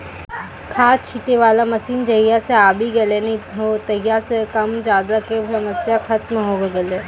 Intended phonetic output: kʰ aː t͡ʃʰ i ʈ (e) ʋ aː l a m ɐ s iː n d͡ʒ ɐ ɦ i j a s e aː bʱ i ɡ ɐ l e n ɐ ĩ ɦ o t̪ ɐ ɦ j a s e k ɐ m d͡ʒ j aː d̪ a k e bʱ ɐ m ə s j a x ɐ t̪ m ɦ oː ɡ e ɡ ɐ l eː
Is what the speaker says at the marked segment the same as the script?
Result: yes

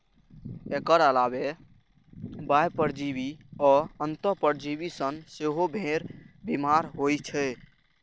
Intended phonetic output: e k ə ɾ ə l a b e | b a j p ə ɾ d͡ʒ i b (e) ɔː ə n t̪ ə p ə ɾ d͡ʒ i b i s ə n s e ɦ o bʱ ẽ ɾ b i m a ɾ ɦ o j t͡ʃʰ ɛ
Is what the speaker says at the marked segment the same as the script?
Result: no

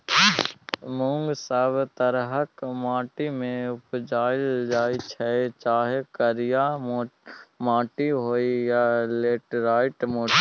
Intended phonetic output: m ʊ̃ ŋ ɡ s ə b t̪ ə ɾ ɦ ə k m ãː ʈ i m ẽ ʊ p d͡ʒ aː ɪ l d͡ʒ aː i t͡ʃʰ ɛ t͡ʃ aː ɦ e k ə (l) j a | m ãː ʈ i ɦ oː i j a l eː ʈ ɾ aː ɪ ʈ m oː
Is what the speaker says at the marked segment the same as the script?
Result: no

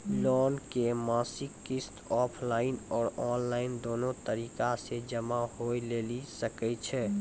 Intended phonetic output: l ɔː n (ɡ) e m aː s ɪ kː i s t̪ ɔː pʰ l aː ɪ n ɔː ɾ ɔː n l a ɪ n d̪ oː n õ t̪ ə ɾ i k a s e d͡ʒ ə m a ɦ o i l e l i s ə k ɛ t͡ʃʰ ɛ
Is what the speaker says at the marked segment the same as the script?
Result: no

